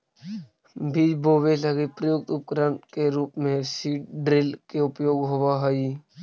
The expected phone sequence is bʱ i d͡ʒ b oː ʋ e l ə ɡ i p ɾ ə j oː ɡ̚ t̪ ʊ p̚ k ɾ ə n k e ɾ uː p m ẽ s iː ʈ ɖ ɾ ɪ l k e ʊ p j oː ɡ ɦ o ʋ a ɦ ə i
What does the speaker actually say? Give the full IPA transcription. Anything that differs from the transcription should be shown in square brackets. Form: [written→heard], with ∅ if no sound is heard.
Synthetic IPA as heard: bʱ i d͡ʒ b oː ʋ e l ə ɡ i p ɾ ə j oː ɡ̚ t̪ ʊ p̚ k ɾ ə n k e ɾ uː p m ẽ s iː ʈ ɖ ɾ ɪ l k e ʊ p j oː ɡ ɦ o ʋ a ɦ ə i

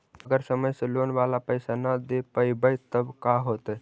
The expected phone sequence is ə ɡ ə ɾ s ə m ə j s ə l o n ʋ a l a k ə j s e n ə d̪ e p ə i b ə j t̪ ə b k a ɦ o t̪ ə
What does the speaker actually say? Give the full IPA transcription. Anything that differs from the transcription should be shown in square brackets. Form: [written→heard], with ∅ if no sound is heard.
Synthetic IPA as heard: ə ɡ ə ɾ s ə m ə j s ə l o n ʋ a l a [k→p] ə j s [e→a] n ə d̪ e p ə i b ə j t̪ ə b k a ɦ o t̪ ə

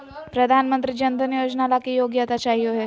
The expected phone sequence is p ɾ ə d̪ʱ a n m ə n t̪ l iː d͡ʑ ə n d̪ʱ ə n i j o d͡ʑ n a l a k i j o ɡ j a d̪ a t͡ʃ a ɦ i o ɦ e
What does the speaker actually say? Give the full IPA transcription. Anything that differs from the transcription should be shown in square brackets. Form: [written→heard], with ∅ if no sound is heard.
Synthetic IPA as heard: p ɾ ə d̪ʱ a n m ə n t̪ [l→ɾ] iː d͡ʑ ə n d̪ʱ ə n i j o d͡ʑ n a l a k i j o ɡ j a [d̪→t̪] a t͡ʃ a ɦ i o ɦ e

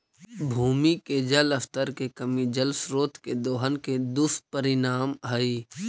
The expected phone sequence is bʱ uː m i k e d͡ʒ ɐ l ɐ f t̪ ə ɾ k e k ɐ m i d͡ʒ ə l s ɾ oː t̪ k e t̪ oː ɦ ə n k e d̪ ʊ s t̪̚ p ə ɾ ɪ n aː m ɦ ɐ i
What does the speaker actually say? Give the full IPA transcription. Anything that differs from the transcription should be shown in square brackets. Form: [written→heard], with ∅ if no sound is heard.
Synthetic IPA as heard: bʱ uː m i k e d͡ʒ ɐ l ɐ f t̪ ə ɾ k e k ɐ m i d͡ʒ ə l s ɾ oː t̪ k e [t̪→d̪] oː ɦ ə n k e d̪ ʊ s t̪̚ p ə ɾ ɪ n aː m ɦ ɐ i

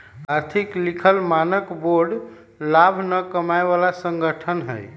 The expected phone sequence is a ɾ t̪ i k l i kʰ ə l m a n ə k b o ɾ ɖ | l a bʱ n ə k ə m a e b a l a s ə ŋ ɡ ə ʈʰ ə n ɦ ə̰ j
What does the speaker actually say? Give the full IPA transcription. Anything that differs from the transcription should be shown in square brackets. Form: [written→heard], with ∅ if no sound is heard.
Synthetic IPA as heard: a ɾ [t̪→t̪ʰ] i k l i kʰ ə l m a n ə k b o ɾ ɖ | l a bʱ n ə k ə m a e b a l a s ə ŋ ɡ ə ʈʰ ə n ɦ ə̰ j

